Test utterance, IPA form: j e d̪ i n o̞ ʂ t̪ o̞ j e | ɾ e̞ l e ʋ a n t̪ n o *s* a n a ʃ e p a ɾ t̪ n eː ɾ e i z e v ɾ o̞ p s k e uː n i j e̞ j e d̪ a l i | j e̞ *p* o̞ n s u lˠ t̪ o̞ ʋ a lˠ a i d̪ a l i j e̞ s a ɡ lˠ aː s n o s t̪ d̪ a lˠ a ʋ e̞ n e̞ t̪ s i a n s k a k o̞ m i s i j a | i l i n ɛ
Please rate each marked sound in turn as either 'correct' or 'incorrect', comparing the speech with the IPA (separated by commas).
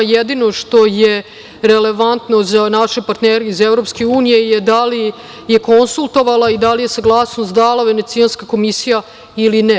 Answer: incorrect, incorrect